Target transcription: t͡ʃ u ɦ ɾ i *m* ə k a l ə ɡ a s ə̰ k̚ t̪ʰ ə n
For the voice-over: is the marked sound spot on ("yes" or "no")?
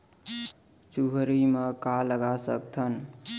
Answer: yes